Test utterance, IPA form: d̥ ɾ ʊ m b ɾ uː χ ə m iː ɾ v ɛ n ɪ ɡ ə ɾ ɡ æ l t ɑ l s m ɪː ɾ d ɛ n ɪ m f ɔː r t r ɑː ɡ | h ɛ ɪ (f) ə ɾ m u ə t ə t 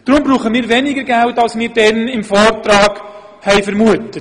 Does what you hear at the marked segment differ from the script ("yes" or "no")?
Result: no